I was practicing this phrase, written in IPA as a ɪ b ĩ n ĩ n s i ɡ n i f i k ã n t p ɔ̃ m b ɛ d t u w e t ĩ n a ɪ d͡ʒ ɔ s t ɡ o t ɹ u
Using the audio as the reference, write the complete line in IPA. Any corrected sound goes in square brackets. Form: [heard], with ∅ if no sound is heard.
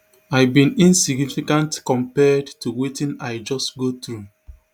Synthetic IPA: a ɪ b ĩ n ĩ n s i ɡ n i f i k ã n t [k] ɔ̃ m [p] ɛ d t u w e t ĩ n a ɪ d͡ʒ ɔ s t ɡ o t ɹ u